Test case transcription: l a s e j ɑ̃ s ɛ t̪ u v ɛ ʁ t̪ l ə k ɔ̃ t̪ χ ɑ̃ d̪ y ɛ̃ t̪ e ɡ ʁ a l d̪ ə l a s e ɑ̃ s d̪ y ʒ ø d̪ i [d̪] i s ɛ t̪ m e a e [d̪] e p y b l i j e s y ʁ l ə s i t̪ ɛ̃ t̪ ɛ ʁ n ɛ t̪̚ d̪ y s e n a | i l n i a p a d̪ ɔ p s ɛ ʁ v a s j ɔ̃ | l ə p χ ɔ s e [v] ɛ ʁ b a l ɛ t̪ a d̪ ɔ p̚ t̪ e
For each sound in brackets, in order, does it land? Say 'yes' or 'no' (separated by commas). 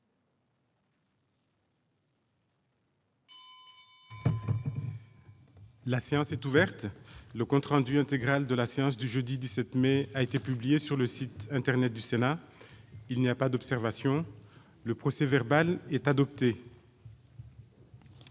yes, no, yes